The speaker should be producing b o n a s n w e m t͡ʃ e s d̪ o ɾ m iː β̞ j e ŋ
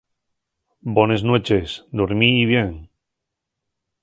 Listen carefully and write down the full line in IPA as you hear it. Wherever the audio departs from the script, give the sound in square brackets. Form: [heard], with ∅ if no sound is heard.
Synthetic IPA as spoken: b o n [e] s n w e [∅] t͡ʃ e s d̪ o ɾ m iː β̞ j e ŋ